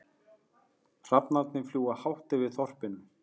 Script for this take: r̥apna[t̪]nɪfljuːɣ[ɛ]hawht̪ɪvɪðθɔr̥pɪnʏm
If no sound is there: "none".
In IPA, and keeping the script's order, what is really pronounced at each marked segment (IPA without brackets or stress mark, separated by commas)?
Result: t̪, a